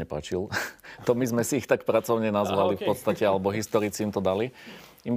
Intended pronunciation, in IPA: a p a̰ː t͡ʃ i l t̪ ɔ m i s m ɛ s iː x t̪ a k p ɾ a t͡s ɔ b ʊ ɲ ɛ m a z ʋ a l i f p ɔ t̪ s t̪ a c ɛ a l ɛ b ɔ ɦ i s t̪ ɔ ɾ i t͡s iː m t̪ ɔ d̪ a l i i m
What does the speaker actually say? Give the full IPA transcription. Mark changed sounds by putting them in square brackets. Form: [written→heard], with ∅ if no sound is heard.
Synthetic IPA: [a→ɛ] p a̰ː t͡ʃ i l t̪ ɔ m i [s→z] m ɛ s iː x t̪ a k p ɾ a t͡s ɔ [b→∅] ʊ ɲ ɛ [m→n] a z ʋ a l i f p ɔ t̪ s t̪ a c ɛ a l ɛ b ɔ ɦ i s t̪ ɔ ɾ i t͡s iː m t̪ ɔ d̪ a l i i m